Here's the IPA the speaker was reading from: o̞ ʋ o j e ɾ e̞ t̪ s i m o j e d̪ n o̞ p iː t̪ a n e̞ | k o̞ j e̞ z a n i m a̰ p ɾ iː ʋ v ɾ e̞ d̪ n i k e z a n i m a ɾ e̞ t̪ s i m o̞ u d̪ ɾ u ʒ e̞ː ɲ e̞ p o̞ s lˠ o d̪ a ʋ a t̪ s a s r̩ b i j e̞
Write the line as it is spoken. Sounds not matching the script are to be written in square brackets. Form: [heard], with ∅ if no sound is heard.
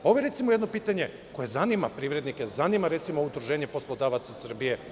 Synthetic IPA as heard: o̞ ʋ o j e ɾ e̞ t̪ s i m o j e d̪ n o̞ p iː t̪ a [ɲ] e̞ | k o̞ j e̞ z a n i m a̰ p ɾ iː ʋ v ɾ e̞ d̪ n i k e z a n i m a ɾ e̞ t̪ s i m o̞ u d̪ ɾ u ʒ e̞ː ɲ e̞ p o̞ s lˠ o d̪ a ʋ a t̪ s a s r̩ b i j e̞